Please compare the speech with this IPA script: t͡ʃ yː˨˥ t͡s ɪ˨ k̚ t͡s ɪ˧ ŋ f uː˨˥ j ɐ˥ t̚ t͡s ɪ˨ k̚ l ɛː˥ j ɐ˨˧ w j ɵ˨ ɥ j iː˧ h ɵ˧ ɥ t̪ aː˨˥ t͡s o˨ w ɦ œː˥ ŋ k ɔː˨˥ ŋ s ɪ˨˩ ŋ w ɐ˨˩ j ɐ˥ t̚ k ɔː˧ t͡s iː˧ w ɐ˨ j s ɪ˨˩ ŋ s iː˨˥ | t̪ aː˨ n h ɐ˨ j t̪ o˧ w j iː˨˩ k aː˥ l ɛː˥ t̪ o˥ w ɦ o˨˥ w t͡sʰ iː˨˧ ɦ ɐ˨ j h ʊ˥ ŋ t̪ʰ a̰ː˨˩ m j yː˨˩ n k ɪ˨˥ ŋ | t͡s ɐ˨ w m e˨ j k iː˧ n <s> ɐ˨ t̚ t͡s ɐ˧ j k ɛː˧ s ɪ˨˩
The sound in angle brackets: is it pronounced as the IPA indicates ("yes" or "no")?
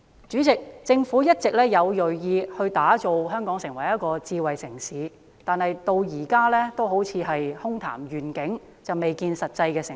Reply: yes